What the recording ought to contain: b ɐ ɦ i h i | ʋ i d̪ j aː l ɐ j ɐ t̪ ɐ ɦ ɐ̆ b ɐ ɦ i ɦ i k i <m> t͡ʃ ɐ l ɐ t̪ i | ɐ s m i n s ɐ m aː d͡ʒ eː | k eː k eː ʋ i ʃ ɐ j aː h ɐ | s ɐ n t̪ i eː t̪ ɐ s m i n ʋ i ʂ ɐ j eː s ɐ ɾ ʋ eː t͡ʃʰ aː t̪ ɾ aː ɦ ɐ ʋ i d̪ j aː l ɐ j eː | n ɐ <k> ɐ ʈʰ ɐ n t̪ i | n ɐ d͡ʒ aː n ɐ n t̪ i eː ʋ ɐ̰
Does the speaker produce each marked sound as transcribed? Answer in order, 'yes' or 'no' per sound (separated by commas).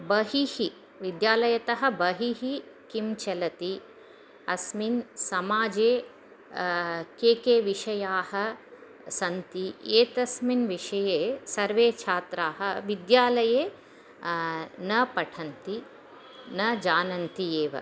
yes, no